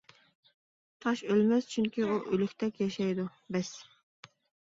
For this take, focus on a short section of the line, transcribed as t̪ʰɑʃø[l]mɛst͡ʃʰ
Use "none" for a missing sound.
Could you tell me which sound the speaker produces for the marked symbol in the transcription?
l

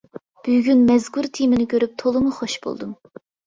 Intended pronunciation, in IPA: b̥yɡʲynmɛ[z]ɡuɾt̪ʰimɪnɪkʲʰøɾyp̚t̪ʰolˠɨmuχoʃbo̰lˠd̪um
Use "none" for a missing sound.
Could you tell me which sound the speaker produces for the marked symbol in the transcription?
z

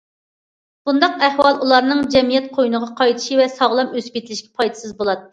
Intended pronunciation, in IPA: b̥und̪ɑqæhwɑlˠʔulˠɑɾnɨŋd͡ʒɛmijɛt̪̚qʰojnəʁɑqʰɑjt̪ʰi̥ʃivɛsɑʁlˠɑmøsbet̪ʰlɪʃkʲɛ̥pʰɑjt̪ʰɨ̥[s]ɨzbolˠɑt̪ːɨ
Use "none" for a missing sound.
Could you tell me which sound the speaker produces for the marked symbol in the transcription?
s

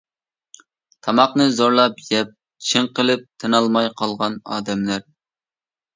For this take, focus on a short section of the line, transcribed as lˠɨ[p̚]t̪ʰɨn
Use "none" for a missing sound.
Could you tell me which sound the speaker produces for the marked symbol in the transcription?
p̚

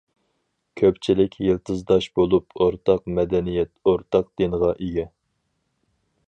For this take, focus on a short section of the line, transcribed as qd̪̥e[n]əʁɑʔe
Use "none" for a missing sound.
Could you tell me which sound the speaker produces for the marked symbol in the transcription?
n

